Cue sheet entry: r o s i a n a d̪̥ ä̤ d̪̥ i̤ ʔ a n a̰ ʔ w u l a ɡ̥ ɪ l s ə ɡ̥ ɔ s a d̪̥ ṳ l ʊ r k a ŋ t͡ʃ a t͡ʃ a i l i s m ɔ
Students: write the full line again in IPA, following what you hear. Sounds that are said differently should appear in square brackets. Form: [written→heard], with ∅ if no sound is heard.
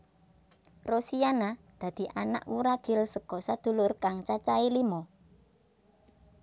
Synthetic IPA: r o s i a n a d̪̥ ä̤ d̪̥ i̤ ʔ a n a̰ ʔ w u [l→ɾ] a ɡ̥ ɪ l s ə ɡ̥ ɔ s a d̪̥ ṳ l ʊ r k a ŋ t͡ʃ a t͡ʃ a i l i [s→∅] m ɔ